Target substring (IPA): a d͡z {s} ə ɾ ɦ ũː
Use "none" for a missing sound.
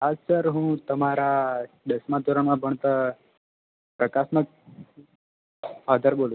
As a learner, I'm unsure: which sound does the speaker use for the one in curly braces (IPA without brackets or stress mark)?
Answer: s